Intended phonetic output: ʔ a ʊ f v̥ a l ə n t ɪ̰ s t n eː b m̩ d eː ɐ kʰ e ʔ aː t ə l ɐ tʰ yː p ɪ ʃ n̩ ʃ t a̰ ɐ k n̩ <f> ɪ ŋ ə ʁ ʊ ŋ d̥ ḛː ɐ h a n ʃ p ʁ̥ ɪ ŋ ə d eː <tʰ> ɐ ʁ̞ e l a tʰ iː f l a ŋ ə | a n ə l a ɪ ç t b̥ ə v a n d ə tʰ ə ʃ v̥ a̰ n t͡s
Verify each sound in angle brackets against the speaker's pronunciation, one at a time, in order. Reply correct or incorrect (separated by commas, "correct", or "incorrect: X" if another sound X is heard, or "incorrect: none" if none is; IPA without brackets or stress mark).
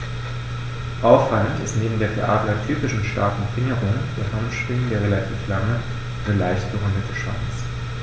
correct, incorrect: none